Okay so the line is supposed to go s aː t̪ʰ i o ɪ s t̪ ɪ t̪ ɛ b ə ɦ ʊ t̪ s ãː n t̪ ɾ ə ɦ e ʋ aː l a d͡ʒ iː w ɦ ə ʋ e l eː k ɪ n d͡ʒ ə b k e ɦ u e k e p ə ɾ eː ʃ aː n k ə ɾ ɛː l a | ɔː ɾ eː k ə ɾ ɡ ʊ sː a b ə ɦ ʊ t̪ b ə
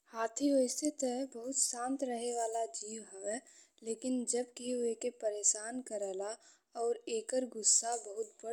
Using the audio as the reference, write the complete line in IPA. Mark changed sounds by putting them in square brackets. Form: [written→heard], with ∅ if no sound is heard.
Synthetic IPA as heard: [s→h] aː t̪ʰ i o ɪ s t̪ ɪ t̪ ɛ b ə ɦ ʊ t̪ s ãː n t̪ ɾ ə ɦ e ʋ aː l a d͡ʒ iː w ɦ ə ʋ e l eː k ɪ n d͡ʒ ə b k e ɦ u e k e p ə ɾ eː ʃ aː n k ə ɾ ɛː l a | ɔː ɾ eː k ə ɾ ɡ ʊ sː a b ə ɦ ʊ t̪ b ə